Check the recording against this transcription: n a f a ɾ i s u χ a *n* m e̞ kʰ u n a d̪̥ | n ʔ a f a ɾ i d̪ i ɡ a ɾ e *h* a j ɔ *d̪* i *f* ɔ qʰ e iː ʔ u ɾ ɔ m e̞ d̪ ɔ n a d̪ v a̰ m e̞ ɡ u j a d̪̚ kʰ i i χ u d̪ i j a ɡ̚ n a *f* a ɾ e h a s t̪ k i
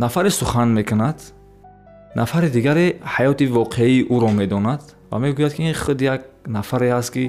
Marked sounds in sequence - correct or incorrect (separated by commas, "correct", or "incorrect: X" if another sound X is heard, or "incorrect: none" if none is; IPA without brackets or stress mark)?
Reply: correct, correct, incorrect: t̪, incorrect: v, correct